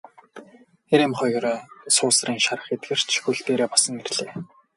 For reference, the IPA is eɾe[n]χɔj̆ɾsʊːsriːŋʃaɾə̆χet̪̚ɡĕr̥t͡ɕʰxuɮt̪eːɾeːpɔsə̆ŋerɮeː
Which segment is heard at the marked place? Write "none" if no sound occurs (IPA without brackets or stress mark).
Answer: m